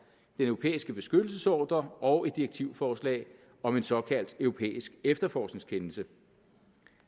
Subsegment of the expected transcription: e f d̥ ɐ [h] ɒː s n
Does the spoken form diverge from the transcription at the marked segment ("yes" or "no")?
yes